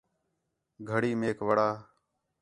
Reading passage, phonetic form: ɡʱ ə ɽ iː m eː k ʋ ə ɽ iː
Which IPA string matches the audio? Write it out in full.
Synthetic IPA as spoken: ɡʱ ə ɽ iː m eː k ʋ ə ɽ aː